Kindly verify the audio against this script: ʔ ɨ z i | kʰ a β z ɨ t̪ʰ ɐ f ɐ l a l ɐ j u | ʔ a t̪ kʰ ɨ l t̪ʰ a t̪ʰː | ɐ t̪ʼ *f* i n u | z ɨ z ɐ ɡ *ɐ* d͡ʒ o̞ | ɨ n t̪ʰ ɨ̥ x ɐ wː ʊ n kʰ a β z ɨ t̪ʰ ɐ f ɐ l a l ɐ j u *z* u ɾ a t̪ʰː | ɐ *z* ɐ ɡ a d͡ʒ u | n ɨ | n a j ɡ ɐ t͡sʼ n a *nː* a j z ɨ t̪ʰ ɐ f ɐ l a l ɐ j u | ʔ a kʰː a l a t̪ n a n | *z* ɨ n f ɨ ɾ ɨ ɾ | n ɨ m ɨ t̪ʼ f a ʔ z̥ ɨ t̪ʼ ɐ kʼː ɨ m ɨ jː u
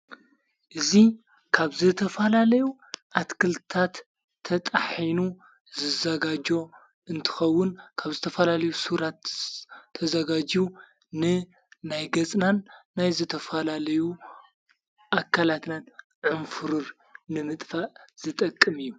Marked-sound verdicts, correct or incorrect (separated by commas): incorrect, incorrect, incorrect, correct, correct, incorrect